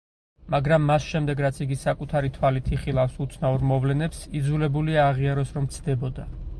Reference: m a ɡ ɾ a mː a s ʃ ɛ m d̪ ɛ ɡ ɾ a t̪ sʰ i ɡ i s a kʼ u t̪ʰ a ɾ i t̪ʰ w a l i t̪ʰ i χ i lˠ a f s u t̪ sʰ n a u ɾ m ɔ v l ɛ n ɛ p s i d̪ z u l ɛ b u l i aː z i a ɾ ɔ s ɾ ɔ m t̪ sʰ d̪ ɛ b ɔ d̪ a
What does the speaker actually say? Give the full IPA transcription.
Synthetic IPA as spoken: m a ɡ ɾ a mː a s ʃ ɛ m d̪ ɛ ɡ ɾ a t̪ sʰ i ɡ i s a kʼ u t̪ʰ a ɾ i t̪ʰ w a l i t̪ʰ i χ i lˠ a f s u t̪ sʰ n a u ɾ m ɔ v l ɛ n ɛ p s i d̪ z u l ɛ b u l i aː ʁ i a ɾ ɔ s ɾ ɔ m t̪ sʰ d̪ ɛ b ɔ d̪ a